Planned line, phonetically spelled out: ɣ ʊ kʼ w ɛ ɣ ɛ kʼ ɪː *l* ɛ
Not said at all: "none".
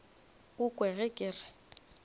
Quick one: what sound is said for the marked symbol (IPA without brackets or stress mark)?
r